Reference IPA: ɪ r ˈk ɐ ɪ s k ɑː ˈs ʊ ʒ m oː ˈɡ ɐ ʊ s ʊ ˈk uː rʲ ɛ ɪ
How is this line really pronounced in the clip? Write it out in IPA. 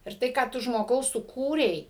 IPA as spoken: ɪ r ˈt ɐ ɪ k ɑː ˈt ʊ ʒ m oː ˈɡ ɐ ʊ s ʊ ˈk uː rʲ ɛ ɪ

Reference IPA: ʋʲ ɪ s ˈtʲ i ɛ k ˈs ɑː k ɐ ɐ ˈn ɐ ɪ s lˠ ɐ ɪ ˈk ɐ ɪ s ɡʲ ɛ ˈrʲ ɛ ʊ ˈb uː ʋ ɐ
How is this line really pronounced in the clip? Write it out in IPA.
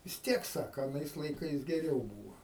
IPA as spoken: ʋʲ ɪ s ˈtʲ i ɛ k ˈs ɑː k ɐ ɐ ˈn ɐ ɪ s lˠ ɐ ɪ ˈk ɐ ɪ s ɡʲ ɛ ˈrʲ ɛ ʊ ˈb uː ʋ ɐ

